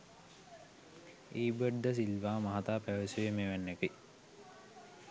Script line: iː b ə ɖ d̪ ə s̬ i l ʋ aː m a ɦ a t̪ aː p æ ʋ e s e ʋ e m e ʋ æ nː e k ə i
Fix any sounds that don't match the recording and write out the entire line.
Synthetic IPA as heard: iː b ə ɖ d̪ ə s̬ i l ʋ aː m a ɦ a t̪ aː p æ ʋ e s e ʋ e m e ʋ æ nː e k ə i